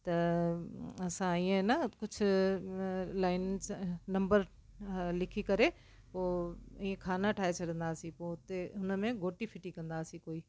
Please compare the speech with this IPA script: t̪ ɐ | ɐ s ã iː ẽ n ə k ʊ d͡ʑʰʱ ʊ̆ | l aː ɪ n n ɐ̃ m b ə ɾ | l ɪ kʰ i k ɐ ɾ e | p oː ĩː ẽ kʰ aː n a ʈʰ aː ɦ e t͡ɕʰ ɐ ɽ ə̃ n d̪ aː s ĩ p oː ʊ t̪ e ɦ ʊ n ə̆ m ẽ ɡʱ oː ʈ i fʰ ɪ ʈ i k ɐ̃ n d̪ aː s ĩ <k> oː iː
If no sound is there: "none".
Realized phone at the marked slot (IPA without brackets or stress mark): k